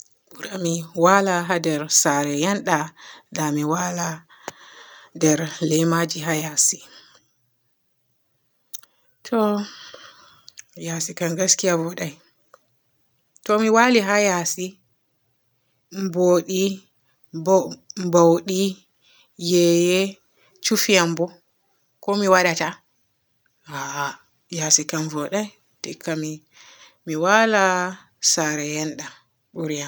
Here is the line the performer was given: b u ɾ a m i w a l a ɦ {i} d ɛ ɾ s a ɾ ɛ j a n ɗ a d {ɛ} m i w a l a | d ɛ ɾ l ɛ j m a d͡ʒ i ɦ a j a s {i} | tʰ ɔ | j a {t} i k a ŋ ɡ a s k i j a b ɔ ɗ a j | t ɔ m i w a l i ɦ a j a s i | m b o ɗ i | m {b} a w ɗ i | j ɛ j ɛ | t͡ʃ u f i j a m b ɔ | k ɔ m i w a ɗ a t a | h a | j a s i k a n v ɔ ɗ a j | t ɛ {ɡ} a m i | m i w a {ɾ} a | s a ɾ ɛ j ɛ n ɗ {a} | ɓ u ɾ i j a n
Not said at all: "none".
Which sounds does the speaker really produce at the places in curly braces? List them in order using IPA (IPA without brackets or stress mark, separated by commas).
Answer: a, a, i, s, b, k, l, a